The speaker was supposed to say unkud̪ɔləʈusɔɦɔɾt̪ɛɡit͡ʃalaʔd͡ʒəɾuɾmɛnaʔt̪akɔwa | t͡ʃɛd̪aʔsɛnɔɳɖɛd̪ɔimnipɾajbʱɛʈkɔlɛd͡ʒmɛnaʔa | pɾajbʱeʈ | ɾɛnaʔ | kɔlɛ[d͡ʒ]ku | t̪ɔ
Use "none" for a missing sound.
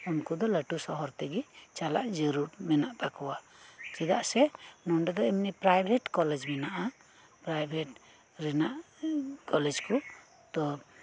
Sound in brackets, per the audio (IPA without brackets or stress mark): d͡ʒ